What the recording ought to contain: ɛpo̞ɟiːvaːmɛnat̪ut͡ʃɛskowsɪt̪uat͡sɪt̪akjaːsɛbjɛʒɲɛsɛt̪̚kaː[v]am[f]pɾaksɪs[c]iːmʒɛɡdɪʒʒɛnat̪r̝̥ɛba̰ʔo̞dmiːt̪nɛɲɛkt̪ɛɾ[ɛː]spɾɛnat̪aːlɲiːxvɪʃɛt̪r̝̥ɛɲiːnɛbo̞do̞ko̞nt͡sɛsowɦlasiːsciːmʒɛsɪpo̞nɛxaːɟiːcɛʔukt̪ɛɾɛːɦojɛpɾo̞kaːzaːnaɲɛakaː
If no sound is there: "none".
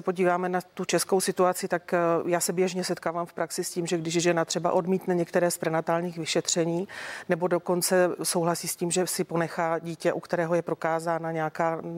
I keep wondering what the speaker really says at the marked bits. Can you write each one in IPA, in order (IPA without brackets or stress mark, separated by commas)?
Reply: v, f, c, ɛː